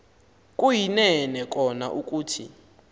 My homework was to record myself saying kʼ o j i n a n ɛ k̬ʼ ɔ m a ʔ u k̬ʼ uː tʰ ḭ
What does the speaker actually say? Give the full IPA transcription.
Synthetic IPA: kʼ u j i n ɛ n ɛ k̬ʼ ɔ n a ʔ u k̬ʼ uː tʰ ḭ